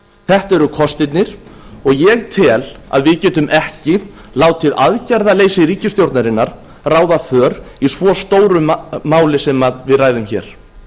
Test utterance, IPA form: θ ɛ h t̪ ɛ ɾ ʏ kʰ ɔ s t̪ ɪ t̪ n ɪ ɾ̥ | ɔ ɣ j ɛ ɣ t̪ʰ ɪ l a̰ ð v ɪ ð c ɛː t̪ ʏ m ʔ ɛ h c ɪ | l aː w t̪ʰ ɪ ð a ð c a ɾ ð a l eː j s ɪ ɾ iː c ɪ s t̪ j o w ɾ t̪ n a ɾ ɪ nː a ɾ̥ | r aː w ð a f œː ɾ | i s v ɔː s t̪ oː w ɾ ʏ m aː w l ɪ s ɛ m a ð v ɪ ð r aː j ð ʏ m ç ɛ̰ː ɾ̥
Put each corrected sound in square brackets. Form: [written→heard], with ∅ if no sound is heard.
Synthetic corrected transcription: θ ɛ h t̪ ɛ ɾ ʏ kʰ ɔ s t̪ ɪ t̪ n ɪ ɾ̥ | ɔ ɣ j ɛ ɣ t̪ʰ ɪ l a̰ ð v ɪ ð c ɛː t̪ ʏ m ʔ ɛ h c ɪ | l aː w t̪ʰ ɪ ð a ð c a ɾ ð a l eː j s ɪ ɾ iː c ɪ s t̪ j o w ɾ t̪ n a ɾ ɪ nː a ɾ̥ | r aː w ð a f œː ɾ | i s v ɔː s t̪ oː w ɾ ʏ m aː w l ɪ s ɛ m a ð v ɪ ð r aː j ð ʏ m ç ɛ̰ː ɾ̥